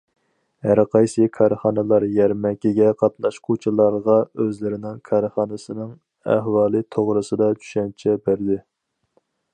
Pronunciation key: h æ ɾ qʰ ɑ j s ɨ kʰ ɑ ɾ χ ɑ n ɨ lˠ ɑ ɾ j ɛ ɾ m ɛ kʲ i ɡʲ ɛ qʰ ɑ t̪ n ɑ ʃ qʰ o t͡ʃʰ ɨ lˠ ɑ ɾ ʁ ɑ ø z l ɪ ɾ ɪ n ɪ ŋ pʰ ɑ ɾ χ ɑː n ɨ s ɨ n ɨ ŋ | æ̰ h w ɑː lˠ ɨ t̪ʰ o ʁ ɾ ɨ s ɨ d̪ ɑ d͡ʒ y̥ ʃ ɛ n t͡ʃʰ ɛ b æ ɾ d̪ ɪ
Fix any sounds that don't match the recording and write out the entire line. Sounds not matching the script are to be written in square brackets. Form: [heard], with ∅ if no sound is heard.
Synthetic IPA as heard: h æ ɾ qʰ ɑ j s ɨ kʰ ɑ ɾ χ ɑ n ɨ lˠ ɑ ɾ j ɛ ɾ m ɛ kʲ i ɡʲ ɛ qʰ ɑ t̪ n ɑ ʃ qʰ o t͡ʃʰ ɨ lˠ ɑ ɾ ʁ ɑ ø z l ɪ ɾ ɪ n ɪ ŋ [kʰ] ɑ ɾ χ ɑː n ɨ s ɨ n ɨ ŋ | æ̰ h w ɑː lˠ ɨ t̪ʰ o ʁ ɾ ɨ s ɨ d̪ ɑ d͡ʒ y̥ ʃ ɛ n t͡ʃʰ ɛ b æ ɾ d̪ ɪ